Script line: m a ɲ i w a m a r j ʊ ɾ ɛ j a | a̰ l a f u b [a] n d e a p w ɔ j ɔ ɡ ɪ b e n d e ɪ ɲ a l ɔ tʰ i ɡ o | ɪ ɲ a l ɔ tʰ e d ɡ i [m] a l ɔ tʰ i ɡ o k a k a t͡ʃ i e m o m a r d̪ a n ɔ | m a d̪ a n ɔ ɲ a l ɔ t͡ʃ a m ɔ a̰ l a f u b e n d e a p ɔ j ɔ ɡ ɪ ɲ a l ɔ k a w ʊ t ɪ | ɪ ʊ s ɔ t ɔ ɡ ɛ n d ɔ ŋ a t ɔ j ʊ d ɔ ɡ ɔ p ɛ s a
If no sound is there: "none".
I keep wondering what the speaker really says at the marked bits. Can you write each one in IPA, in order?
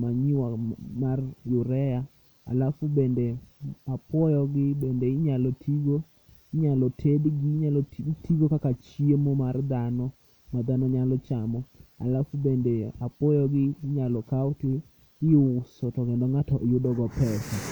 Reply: e, ɲ

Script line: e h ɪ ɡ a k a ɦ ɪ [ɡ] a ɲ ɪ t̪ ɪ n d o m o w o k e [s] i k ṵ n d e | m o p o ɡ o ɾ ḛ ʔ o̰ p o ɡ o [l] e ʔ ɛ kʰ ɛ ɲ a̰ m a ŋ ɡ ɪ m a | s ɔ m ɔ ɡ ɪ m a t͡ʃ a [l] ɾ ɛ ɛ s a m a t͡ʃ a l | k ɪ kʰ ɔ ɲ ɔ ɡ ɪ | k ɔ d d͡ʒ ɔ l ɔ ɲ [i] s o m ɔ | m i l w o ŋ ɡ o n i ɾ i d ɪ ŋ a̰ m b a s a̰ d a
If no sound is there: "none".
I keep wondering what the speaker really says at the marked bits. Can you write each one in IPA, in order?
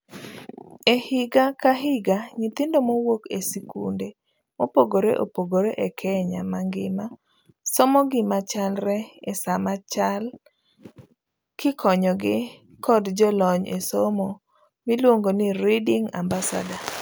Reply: ɡ, s, ɾ, l, e

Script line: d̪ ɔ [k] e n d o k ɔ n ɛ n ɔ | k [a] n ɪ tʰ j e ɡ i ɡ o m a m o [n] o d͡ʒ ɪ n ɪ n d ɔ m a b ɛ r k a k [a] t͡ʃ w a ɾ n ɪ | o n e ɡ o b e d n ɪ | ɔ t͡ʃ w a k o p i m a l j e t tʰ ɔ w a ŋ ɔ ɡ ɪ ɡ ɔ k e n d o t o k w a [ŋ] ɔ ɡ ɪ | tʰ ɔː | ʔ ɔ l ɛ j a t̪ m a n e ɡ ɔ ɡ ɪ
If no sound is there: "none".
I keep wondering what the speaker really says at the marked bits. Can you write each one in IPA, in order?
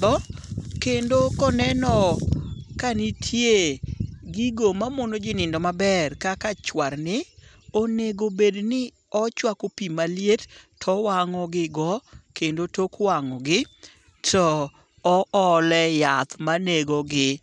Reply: k, a, n, a, ŋ

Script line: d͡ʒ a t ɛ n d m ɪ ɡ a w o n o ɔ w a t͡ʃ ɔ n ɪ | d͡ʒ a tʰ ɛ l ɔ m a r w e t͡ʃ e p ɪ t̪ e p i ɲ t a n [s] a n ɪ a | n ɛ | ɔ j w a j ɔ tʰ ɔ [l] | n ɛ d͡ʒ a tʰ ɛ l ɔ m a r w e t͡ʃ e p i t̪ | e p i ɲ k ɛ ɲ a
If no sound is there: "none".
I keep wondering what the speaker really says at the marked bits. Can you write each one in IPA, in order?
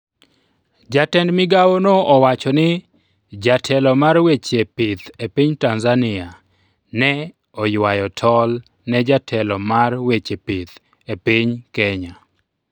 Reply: z, l

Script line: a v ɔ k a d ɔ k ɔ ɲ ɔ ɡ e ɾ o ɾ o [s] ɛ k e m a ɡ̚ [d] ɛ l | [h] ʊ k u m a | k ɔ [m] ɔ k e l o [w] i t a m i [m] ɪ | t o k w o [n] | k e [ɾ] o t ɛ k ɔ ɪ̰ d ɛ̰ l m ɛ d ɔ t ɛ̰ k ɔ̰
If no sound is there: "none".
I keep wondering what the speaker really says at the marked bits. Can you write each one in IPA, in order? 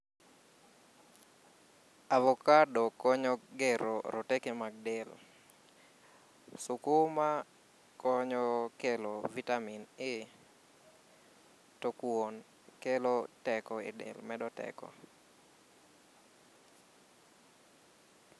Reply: t, d, s, ɲ, v, n, n, l

